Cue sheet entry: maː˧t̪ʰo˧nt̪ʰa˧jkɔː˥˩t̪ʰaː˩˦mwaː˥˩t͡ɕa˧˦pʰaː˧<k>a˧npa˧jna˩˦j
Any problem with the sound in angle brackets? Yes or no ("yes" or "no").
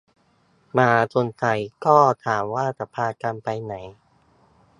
no